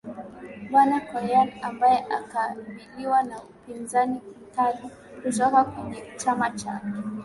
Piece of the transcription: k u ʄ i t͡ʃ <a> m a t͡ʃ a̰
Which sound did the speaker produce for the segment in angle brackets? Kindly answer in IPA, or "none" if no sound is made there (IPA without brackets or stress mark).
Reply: a